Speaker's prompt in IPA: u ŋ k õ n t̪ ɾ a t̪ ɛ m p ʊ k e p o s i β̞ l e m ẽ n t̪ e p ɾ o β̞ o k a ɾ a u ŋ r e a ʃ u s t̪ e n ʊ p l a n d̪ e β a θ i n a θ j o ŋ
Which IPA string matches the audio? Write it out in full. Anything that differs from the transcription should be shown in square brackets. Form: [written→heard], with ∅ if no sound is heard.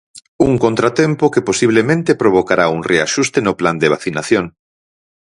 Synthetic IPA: u ŋ k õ n t̪ ɾ a t̪ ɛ m p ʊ k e p o s i β̞ l e m ẽ n t̪ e p ɾ o β̞ o k a ɾ a u ŋ r e a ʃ u s t̪ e n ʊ p l a n d̪ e β a θ i n a θ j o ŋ